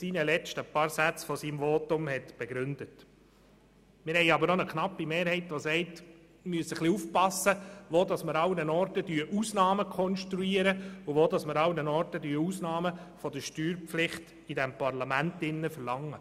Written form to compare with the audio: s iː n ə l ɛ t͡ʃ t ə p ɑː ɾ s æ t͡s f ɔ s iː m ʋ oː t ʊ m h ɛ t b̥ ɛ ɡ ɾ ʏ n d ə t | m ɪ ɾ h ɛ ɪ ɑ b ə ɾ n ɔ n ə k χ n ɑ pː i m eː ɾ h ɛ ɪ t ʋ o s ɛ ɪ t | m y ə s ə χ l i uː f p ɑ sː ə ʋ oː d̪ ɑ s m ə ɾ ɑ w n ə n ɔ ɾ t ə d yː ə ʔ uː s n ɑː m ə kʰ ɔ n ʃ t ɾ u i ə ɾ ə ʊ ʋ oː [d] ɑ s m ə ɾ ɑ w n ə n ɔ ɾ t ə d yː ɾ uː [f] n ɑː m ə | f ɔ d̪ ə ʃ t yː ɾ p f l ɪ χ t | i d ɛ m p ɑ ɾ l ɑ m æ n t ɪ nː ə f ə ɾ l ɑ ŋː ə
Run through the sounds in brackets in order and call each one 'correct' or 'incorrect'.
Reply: correct, incorrect: s

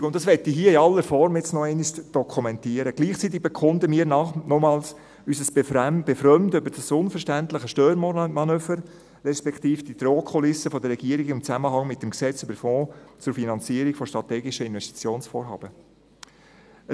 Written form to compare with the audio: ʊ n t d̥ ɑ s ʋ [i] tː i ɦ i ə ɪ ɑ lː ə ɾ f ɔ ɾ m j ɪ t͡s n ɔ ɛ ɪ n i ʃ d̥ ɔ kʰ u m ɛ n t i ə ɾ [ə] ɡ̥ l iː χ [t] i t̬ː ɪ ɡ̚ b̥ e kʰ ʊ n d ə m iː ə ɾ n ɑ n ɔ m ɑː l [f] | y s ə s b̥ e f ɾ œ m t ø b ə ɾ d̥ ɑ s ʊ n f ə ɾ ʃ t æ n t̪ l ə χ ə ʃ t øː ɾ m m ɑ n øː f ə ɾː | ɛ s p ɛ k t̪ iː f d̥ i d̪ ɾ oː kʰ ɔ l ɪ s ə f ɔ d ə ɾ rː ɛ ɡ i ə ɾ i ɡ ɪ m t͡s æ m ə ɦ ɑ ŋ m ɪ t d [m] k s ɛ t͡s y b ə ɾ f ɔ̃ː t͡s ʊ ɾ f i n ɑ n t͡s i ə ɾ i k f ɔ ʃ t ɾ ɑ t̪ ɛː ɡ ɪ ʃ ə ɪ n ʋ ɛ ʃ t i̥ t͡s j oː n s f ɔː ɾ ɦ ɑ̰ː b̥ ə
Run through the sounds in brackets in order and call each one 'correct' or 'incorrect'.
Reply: incorrect: ɛ, correct, incorrect: t͡s, incorrect: s, correct

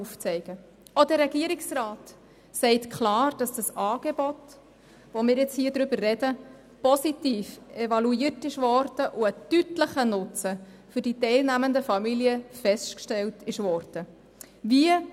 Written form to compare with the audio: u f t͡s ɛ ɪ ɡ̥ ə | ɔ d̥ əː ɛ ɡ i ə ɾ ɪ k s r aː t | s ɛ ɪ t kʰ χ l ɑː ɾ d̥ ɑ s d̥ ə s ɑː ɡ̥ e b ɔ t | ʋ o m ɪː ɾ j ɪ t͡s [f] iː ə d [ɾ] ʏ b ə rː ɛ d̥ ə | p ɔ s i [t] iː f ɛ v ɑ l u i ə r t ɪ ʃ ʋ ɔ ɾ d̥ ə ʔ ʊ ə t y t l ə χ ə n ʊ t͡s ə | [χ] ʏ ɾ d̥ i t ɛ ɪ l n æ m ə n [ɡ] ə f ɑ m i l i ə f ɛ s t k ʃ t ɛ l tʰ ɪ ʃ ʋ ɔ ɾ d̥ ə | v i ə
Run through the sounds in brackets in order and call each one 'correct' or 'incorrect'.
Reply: incorrect: h, correct, correct, incorrect: f, incorrect: d

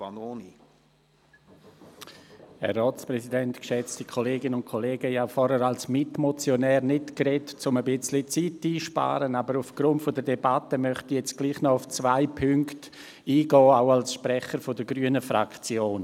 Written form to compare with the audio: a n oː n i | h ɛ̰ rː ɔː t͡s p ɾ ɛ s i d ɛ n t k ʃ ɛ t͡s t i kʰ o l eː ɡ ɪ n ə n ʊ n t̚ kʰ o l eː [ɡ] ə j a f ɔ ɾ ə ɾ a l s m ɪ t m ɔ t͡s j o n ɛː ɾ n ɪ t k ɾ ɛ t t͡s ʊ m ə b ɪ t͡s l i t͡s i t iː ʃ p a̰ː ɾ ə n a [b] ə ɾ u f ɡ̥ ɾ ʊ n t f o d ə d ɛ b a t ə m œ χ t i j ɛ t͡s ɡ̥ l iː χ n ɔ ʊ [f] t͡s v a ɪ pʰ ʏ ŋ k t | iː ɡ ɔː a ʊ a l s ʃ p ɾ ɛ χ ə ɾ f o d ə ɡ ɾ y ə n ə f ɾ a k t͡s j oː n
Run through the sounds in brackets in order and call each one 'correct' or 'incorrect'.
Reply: correct, correct, correct

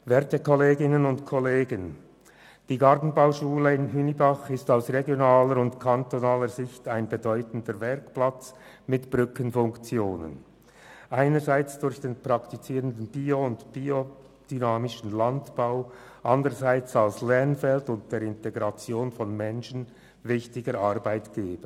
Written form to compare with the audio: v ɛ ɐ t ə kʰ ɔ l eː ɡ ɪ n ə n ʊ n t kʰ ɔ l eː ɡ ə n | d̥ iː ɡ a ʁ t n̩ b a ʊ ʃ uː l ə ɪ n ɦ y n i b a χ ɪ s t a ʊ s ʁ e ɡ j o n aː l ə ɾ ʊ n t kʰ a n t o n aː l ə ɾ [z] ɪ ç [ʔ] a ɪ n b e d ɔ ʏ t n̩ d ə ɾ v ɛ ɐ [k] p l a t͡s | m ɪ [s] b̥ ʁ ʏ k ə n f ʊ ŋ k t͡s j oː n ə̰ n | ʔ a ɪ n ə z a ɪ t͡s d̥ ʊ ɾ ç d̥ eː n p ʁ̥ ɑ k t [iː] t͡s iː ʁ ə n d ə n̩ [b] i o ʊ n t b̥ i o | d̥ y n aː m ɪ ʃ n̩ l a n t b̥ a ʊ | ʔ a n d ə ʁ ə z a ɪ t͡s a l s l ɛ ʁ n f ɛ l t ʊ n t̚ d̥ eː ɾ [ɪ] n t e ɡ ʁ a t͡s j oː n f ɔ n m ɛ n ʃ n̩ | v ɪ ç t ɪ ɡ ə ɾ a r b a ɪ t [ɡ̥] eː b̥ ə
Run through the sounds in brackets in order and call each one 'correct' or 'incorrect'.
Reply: correct, incorrect: t, correct, incorrect: t, incorrect: i, correct, correct, correct

